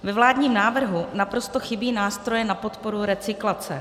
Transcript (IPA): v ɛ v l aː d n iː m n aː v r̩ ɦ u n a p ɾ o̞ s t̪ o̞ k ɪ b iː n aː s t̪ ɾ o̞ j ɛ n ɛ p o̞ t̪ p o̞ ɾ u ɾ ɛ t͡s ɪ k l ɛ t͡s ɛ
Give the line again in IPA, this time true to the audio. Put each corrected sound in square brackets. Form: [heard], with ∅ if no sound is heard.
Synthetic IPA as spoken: v ɛ v l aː d [ɲ] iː m n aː v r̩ ɦ u n a p ɾ o̞ s t̪ o̞ [x] ɪ b iː n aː s t̪ ɾ o̞ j ɛ n [a] p o̞ t̪ p o̞ ɾ u ɾ ɛ t͡s ɪ k l [a] t͡s ɛ